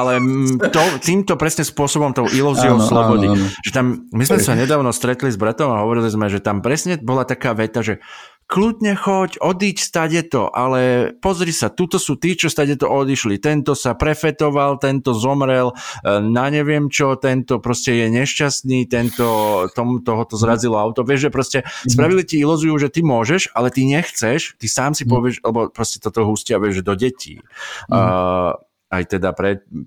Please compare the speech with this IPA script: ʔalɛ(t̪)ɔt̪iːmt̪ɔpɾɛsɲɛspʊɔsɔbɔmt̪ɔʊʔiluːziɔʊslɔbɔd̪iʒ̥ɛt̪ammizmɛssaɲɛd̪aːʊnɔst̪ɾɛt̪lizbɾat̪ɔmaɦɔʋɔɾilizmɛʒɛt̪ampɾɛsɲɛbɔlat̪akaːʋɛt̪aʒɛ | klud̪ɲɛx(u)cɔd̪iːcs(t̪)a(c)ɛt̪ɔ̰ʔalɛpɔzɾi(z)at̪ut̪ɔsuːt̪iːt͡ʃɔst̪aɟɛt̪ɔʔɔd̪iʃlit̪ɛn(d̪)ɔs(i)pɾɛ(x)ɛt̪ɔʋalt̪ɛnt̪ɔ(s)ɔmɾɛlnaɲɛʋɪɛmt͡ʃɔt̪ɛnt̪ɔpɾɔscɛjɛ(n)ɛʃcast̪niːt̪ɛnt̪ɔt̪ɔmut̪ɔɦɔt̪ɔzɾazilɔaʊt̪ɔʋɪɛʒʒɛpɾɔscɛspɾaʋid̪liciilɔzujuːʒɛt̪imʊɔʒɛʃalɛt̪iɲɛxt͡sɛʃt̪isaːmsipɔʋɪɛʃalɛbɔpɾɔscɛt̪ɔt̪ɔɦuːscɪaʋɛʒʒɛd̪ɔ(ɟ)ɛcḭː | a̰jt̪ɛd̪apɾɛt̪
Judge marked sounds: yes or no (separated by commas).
yes, no, yes, no, no, no, no, no, no, no, yes